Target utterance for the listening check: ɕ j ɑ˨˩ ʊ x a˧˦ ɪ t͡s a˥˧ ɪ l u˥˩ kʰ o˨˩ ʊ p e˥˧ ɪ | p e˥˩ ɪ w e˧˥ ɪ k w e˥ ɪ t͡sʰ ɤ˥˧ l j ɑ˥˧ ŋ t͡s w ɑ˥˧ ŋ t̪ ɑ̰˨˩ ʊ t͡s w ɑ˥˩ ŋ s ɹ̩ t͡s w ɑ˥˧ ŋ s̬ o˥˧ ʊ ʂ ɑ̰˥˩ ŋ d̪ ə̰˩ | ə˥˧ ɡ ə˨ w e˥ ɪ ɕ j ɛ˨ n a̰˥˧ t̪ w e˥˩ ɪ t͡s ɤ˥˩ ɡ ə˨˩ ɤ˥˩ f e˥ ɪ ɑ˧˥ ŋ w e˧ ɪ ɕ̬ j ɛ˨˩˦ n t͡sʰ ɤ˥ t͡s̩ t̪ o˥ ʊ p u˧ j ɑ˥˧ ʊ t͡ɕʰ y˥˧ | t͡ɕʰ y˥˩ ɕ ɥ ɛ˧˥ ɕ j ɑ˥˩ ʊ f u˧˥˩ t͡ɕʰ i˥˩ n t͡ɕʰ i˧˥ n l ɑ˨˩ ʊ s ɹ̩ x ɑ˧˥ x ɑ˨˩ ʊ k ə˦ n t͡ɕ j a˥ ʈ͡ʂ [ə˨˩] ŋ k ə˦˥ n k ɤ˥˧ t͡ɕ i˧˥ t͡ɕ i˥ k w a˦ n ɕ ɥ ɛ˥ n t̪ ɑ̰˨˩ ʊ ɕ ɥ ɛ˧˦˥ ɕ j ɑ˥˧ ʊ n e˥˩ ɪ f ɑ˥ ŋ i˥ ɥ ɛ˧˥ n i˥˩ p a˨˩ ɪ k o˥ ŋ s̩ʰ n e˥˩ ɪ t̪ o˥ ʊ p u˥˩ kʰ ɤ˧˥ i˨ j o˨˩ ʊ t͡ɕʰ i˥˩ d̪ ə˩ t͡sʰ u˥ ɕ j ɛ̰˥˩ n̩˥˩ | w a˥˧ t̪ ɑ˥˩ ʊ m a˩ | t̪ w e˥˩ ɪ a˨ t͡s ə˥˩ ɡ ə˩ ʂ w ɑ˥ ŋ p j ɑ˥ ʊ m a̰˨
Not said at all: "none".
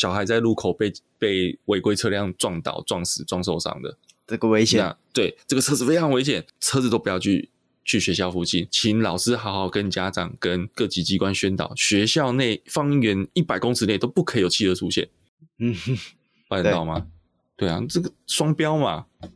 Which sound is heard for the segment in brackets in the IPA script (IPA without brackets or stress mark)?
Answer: ɑ˨˩